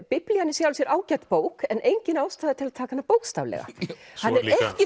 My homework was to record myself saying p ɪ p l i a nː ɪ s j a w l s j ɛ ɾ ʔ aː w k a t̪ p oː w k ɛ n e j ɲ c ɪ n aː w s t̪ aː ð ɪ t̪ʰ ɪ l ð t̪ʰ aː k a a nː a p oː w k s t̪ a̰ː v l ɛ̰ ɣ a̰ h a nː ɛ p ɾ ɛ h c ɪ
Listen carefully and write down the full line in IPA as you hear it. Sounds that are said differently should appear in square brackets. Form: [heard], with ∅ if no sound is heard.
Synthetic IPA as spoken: p ɪ p l i a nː ɪ s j a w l s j ɛ ɾ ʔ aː w [c] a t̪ p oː w k ɛ n e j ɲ c ɪ n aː w s t̪ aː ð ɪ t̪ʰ ɪ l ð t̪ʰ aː k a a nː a p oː w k s t̪ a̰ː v l ɛ̰ ɣ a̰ h a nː ɛ [∅] ɾ ɛ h c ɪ